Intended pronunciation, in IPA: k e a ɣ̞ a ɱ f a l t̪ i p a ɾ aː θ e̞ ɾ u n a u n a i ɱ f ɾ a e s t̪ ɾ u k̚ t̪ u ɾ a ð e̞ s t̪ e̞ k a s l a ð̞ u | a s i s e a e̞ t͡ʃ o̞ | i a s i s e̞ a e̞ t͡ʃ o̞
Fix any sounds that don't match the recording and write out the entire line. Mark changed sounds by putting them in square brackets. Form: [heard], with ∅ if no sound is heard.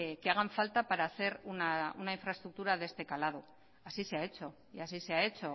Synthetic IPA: k e a ɣ̞ a ɱ f a l t̪ [a] p a ɾ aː θ e̞ ɾ u n a u n a i ɱ f ɾ a e s t̪ ɾ u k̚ t̪ u ɾ a ð e̞ s t̪ e̞ k a [∅] l a ð̞ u | a s i s e a e̞ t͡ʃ o̞ | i a s i s e̞ a e̞ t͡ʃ o̞